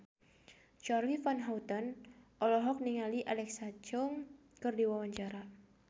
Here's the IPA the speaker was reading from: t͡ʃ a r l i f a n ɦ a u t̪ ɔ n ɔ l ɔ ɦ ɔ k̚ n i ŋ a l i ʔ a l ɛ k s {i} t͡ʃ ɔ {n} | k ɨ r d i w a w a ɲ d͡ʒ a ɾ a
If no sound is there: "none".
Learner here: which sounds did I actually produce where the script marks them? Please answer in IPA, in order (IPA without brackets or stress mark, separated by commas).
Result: a, ŋ